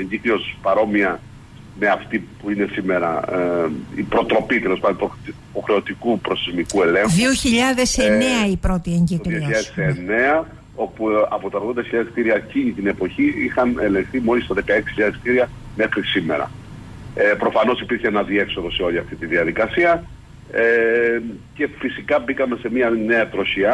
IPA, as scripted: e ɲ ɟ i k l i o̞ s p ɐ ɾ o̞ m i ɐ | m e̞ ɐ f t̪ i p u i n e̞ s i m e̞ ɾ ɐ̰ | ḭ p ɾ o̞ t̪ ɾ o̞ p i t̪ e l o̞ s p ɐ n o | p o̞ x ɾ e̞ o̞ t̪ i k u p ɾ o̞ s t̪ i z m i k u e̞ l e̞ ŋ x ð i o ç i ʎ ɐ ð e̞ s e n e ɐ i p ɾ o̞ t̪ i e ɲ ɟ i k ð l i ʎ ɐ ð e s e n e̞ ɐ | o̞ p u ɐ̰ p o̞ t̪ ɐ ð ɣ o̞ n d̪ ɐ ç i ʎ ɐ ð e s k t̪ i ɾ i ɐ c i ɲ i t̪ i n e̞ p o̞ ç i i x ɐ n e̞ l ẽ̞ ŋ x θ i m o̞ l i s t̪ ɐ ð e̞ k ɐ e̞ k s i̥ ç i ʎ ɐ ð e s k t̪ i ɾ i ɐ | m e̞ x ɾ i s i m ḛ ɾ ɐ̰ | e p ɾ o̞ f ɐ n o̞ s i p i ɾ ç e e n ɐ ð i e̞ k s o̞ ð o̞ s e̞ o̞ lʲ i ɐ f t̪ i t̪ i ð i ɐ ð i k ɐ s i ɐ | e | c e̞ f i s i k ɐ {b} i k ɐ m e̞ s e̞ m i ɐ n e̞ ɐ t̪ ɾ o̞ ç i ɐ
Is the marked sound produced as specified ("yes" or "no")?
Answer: yes